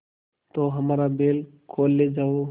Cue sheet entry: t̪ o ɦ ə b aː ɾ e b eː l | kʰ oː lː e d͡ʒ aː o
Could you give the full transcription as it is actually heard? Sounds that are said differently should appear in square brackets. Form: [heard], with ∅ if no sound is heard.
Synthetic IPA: t̪ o ɦ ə [m] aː ɾ [a] b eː l | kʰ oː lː e d͡ʒ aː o

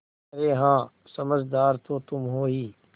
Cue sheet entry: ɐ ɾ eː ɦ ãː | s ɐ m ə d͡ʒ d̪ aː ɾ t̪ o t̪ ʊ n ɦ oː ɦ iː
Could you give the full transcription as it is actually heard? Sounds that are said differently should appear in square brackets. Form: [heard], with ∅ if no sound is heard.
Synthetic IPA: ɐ ɾ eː ɦ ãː | s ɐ m ə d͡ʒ d̪ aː ɾ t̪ o t̪ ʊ [m] ɦ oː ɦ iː

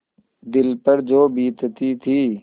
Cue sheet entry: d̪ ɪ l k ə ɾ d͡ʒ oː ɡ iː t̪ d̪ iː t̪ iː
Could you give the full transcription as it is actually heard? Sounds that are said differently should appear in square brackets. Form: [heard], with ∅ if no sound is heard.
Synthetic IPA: d̪ ɪ l [p] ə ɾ d͡ʒ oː [b] iː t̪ [t̪] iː [t̪ʰ] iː

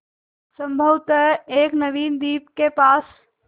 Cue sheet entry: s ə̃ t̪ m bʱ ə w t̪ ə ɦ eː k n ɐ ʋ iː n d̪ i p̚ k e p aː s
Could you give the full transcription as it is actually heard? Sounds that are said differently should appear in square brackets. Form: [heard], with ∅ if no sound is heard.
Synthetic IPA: s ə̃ [∅] m bʱ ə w t̪ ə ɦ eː k n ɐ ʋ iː n d̪ [iː] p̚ k e p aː s

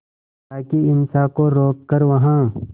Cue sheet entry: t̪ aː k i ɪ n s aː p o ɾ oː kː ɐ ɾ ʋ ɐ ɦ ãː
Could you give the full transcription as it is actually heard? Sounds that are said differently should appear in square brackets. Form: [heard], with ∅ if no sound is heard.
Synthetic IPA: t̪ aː k i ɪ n s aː [k] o ɾ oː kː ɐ ɾ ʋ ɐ ɦ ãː

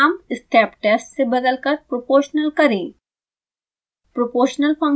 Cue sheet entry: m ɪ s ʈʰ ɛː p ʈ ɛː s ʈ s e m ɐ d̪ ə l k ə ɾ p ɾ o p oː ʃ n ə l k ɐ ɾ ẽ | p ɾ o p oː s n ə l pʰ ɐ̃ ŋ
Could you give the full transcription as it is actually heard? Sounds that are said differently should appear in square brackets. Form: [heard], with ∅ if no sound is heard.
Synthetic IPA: m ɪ s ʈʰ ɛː p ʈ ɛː s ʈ s e [b] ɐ d̪ ə l k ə ɾ p ɾ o p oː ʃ n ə l k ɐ ɾ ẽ | p ɾ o p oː [ʃ] n ə l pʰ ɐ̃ ŋ

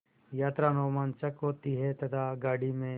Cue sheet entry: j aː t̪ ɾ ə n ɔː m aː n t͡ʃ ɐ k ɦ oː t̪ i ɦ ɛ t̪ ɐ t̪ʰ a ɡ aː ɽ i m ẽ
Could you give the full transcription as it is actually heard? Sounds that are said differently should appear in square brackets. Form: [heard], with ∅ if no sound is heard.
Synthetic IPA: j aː t̪ ɾ [a] n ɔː m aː n t͡ʃ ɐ k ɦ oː t̪ i ɦ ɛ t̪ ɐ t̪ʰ a ɡ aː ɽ i m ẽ

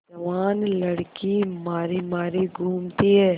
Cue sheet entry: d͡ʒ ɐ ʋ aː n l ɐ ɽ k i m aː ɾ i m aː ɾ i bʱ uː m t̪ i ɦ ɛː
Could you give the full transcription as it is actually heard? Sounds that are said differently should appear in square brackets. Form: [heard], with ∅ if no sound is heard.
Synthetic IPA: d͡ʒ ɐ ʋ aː n l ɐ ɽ k i m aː ɾ i m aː ɾ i [ɡʱ] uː m t̪ i ɦ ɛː

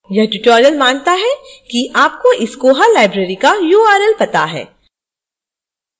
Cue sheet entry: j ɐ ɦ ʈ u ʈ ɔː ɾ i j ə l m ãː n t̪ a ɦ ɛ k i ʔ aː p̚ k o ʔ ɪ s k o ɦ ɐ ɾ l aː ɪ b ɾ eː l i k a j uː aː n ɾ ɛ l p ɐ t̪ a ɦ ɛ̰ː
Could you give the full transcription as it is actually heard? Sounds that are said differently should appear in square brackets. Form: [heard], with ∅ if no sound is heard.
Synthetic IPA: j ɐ ɦ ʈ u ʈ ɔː ɾ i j ə l m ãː n t̪ a ɦ ɛ k i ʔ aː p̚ k o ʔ ɪ s k o ɦ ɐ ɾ l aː ɪ b ɾ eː [ɾ] i k a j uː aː [∅] ɾ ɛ l p ɐ t̪ a ɦ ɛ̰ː

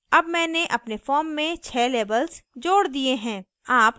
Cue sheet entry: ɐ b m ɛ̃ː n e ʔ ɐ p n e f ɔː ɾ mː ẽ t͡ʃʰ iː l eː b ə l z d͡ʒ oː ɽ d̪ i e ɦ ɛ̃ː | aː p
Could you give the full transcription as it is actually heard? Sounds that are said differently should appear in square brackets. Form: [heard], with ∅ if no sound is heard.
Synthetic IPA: ɐ b m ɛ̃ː n e ʔ ɐ p n e f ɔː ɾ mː ẽ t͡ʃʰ [ɛː] l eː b ə l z d͡ʒ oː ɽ d̪ i e ɦ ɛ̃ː | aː p

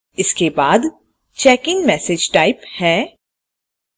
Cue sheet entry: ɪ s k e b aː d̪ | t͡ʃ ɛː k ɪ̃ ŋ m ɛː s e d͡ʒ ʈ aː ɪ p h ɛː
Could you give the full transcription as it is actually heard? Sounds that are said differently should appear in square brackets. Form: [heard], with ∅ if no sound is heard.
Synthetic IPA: ɪ s k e b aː d̪ | t͡ʃ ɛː k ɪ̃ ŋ m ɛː s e d͡ʒ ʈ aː ɪ p h ɛː

